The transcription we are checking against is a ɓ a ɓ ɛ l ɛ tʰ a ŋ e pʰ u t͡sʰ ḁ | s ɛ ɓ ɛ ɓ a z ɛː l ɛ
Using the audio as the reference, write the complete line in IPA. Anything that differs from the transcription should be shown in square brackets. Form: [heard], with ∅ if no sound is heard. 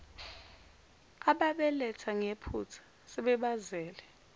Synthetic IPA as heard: a ɓ a ɓ ɛ l ɛ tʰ a ŋ e pʰ u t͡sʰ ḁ | s ɛ ɓ ɛ ɓ a z ɛː l ɛ

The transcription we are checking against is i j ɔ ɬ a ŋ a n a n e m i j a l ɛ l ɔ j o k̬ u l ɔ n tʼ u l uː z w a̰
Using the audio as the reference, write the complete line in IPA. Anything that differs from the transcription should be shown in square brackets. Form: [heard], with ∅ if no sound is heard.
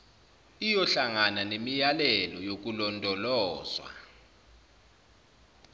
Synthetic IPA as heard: i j ɔ ɬ a ŋ a n a n e m i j a l ɛ l ɔ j o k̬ u l ɔ n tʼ [ɔ] l [ɔː] z w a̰

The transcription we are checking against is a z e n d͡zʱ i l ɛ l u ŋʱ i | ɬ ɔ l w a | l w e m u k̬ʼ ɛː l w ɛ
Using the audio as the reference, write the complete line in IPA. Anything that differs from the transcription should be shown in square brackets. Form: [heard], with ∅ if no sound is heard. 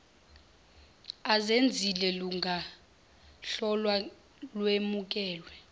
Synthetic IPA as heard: a z e n d͡zʱ i l ɛ l u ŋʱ [a] | ɬ ɔ l w a | l w e m u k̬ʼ ɛː l w ɛ

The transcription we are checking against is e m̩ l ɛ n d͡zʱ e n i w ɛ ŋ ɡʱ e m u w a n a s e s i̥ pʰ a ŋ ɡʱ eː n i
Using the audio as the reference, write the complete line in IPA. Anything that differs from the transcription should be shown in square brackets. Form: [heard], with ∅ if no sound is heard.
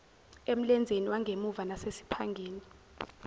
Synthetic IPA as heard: e m̩ l ɛ n d͡zʱ e n i w [a] ŋ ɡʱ e m u [v] a n a s e s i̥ pʰ a ŋ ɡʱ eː n i

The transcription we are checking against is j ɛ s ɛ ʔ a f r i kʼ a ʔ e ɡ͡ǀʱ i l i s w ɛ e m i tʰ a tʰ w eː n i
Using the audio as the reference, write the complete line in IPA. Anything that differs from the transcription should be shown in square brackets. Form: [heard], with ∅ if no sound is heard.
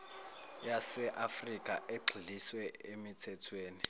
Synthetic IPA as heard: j [a] s ɛ ʔ a f r i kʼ a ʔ e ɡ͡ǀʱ i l i s w ɛ e m i tʰ [ɛ] tʰ w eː n i

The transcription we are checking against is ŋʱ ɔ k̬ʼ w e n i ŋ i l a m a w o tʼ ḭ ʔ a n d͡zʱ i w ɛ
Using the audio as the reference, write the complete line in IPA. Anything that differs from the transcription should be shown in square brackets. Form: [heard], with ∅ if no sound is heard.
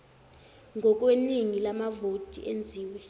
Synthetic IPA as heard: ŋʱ ɔ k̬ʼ w e n i ŋ i l a m a [v] o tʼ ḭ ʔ [e] n d͡zʱ [iː] w ɛ

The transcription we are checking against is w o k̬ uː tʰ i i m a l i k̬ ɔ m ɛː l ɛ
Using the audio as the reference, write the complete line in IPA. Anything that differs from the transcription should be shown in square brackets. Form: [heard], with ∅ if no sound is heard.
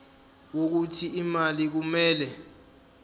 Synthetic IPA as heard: w o k̬ [u] tʰ i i m a l i k̬ [u] m ɛː l ɛ

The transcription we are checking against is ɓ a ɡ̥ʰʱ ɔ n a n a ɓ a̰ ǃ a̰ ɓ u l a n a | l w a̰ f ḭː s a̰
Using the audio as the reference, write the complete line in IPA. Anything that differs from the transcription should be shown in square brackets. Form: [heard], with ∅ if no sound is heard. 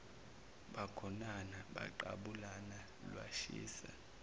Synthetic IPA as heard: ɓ a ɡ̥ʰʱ ɔ n a n a ɓ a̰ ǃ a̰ ɓ u l a n a | l w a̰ [ʃ] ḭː s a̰

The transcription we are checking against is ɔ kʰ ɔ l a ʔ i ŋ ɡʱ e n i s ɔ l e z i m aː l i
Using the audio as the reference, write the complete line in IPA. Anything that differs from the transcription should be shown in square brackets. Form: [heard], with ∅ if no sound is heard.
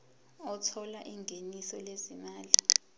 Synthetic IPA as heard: ɔ [tʰ] ɔ l a ʔ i ŋ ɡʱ e n i s ɔ l e z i m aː l i

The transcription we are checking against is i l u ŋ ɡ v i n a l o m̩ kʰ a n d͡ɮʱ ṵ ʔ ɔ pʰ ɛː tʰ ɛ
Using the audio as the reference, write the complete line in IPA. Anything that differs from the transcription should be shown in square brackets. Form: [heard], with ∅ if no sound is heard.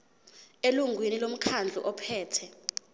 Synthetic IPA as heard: [e] l u ŋ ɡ [w] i n [i] l o m̩ kʰ a n d͡ɮʱ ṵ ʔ ɔ pʰ ɛː tʰ ɛ

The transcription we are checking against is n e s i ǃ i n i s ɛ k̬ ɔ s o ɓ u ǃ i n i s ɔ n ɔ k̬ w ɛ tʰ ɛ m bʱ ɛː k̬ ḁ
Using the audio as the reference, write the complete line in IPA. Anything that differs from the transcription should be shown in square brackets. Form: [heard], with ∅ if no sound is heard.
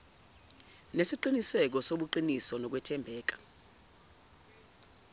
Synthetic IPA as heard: n e s i ǃ i n i s ɛ k̬ ɔ s o ɓ u ǃ i n i s ɔ n ɔ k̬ w ɛ tʰ ɛ m bʱ ɛː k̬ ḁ

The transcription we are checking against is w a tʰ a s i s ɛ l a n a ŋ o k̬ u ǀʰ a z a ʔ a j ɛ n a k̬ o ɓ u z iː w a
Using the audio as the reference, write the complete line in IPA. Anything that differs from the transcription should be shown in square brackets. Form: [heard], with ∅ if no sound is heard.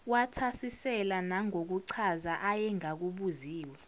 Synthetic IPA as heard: w a tʰ a s i s ɛ l a n a ŋ o k̬ u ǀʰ a z a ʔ a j ɛ [ŋ] a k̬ [u] ɓ u z iː w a

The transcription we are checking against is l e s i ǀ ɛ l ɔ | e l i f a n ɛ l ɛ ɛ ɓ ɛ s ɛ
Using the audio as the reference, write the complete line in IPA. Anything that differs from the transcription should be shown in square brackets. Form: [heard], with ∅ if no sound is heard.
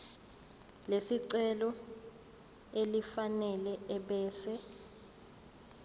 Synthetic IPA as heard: l e s i ǀ ɛ l ɔ | e l i f a n ɛ l ɛ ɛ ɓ [ɛː] s ɛ

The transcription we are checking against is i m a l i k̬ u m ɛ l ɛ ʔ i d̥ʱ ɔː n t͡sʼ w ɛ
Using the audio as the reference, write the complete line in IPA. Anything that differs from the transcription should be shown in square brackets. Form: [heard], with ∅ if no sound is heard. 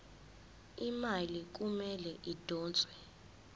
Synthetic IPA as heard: i m a l i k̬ u m ɛ l ɛ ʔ i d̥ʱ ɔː n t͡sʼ w ɛ

